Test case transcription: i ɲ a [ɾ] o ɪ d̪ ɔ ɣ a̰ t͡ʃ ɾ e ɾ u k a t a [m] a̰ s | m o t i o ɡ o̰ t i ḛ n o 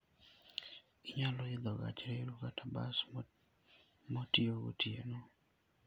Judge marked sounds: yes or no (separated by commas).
no, no